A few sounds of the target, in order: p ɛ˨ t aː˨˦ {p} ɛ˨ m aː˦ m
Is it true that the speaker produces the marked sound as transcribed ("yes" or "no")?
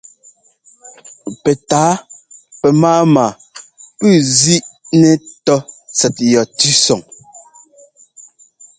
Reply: yes